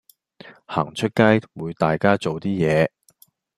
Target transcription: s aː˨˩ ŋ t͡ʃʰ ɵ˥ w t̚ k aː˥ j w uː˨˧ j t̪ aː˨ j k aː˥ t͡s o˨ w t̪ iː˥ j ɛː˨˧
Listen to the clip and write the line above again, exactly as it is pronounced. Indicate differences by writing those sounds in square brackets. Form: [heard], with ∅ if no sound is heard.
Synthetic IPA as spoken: [h] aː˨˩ ŋ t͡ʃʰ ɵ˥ [∅] t̚ k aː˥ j w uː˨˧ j t̪ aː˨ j k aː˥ t͡s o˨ w t̪ iː˥ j ɛː˨˧